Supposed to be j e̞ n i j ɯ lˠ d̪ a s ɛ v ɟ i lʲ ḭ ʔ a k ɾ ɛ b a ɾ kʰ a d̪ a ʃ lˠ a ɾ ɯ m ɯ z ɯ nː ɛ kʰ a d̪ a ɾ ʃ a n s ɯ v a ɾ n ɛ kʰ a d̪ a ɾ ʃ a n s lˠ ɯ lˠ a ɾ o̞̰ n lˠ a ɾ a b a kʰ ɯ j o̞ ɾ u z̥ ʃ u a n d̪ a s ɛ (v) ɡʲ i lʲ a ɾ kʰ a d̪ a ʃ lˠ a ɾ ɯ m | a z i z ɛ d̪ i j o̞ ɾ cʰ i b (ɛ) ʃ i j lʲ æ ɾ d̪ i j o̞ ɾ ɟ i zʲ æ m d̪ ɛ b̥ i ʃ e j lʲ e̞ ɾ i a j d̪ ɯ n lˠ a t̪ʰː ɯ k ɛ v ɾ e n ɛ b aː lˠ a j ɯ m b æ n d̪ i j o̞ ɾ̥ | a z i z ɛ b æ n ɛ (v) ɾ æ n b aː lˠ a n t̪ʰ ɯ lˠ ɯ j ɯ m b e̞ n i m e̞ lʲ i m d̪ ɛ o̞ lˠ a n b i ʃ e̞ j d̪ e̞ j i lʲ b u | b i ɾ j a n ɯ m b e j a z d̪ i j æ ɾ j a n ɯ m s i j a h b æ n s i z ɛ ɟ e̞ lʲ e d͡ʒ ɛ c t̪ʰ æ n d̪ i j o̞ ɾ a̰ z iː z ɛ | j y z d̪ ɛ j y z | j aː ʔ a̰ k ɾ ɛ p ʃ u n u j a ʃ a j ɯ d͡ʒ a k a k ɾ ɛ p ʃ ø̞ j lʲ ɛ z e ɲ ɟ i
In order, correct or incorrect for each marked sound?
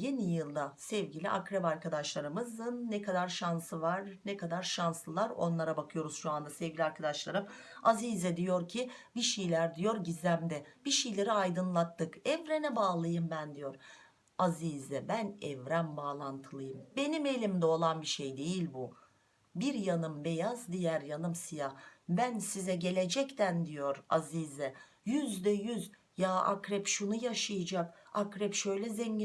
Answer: correct, incorrect: i, correct

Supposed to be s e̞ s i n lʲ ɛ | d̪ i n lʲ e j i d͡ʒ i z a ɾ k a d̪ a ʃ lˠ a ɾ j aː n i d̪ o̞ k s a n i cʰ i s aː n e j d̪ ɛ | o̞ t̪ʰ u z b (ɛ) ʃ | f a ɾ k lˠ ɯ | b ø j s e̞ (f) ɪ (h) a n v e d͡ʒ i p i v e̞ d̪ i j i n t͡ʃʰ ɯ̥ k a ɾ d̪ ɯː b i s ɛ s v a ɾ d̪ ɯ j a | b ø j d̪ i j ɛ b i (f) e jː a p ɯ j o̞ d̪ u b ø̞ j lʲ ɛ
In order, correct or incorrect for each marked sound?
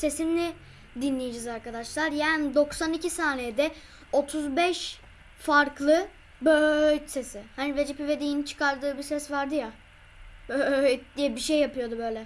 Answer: correct, incorrect: s, correct, incorrect: ʃ

